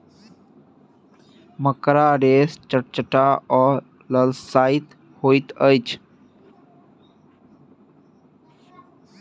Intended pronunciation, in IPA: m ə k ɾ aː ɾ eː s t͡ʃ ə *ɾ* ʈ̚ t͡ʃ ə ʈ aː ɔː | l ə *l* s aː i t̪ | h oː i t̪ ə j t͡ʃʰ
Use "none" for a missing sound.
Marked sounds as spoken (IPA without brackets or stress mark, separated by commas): none, l